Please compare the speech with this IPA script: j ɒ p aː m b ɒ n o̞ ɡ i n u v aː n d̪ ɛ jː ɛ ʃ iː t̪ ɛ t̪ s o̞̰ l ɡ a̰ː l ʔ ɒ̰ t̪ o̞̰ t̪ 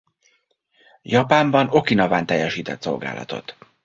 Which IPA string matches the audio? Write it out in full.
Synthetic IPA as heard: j ɒ p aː m b ɒ n o̞ k i n ɒ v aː n t̪ ɛ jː ɛ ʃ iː t̪ ɛ t̪ s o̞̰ l ɡ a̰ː l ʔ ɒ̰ t̪ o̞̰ t̪